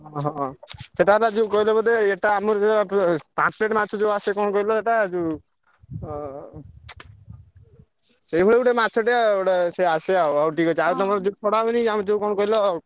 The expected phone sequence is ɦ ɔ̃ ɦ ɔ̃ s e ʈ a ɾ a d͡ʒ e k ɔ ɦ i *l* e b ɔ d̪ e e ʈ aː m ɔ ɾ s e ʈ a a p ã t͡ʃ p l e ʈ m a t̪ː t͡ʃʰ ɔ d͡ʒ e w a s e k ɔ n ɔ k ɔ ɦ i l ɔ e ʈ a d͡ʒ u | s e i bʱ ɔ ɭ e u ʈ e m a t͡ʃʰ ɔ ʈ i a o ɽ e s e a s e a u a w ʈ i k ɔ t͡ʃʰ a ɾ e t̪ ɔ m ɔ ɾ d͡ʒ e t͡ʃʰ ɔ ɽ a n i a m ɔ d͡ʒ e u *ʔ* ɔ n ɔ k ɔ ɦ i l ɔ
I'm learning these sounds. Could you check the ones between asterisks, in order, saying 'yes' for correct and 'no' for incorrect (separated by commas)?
yes, no